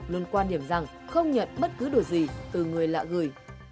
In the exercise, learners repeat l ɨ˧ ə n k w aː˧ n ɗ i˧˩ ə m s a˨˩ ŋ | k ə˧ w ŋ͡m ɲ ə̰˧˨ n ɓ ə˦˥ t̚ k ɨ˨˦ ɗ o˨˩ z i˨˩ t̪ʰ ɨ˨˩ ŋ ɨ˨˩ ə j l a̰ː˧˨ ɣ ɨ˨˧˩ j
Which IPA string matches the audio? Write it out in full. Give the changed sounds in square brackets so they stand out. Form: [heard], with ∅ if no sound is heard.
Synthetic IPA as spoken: l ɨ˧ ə n k w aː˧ n ɗ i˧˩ ə m [z] a˨˩ ŋ | [x] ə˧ w ŋ͡m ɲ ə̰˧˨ n ɓ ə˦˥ t̚ k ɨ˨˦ ɗ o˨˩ z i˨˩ [t̪] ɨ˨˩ ŋ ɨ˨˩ ə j l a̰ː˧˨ ɣ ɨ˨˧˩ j